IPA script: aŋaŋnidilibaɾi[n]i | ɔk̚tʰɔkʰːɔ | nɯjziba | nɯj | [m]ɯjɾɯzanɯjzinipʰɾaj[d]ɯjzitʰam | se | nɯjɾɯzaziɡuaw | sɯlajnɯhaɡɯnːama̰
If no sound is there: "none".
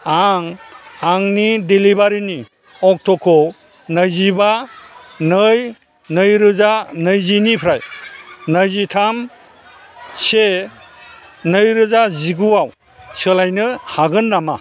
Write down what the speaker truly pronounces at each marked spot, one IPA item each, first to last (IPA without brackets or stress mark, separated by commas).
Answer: n, n, n